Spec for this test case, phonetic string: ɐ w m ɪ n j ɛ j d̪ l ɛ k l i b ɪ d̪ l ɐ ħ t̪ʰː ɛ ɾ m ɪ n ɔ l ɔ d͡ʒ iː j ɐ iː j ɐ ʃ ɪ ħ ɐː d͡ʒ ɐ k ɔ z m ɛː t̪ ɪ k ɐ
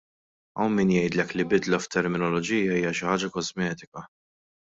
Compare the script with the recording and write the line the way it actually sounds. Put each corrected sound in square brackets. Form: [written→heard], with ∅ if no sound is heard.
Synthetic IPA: ɐ w m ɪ n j ɛ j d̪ l ɛ k l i b ɪ d̪ l ɐ [ħ→f] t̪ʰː ɛ ɾ m ɪ n ɔ l ɔ d͡ʒ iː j ɐ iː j ɐ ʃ ɪ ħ ɐː d͡ʒ ɐ k ɔ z m ɛː t̪ ɪ k ɐ